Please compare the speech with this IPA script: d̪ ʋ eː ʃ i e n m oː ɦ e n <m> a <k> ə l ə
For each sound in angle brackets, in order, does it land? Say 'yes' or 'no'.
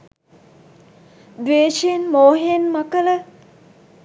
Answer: yes, yes

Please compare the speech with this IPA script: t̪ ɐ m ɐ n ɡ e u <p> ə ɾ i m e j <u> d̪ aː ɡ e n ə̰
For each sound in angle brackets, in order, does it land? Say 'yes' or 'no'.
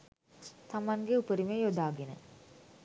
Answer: yes, no

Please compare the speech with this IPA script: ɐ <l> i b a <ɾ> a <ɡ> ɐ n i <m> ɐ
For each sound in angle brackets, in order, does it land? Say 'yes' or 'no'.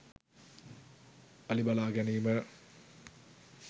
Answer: yes, no, yes, yes

